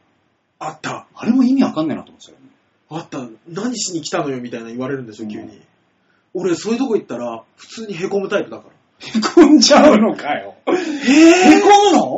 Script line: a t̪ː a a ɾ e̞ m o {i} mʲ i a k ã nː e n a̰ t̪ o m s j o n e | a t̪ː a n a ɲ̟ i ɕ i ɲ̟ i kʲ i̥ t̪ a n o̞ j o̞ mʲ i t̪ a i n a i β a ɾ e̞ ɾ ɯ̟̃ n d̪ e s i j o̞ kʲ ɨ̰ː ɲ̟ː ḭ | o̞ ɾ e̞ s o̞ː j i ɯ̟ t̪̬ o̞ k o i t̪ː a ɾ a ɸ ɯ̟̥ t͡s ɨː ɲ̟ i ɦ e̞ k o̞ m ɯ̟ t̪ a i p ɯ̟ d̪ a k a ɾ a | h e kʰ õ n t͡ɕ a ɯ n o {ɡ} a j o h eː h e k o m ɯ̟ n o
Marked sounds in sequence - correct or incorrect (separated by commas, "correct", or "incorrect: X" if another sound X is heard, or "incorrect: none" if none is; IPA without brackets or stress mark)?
correct, incorrect: k